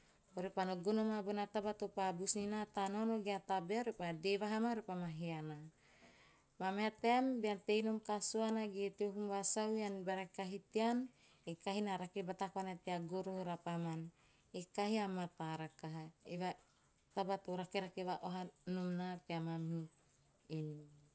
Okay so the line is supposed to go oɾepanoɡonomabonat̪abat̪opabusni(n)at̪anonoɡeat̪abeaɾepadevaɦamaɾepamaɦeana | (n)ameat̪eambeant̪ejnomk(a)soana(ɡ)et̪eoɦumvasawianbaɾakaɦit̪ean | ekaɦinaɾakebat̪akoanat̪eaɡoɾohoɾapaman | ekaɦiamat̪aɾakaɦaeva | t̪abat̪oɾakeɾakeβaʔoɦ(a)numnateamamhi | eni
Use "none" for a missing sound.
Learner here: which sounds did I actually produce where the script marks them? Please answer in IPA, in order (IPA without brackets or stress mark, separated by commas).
n, m, a, ɡ, a